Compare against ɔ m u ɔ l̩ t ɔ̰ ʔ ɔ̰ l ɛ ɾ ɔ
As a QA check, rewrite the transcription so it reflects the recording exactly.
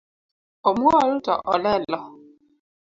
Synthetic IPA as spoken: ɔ m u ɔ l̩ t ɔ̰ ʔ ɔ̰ l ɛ l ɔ